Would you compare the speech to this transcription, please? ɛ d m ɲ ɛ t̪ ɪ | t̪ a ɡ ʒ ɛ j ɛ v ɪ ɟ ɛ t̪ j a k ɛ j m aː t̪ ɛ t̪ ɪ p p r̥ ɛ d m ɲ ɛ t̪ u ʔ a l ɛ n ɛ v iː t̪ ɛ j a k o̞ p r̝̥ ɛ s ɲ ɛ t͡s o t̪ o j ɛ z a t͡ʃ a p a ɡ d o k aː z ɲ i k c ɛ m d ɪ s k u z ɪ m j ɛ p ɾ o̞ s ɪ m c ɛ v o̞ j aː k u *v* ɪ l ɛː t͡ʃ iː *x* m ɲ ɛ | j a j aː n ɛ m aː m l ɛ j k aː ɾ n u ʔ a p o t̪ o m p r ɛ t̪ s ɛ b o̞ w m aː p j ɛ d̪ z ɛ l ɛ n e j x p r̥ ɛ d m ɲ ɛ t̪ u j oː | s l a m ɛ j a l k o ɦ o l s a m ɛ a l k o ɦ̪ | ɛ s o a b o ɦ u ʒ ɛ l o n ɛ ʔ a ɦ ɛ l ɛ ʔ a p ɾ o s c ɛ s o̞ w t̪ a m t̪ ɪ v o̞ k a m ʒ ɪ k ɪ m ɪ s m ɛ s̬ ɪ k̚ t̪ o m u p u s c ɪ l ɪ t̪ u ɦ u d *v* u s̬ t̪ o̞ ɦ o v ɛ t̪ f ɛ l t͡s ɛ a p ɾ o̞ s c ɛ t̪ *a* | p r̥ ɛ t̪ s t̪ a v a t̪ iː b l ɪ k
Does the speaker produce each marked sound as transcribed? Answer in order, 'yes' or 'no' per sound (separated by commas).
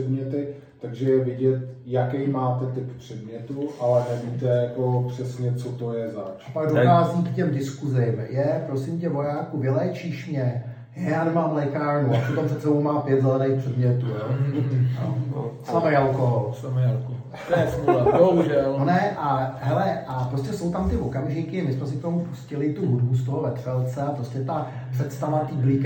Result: yes, no, no, yes